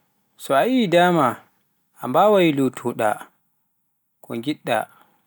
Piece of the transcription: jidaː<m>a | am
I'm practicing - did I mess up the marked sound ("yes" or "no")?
no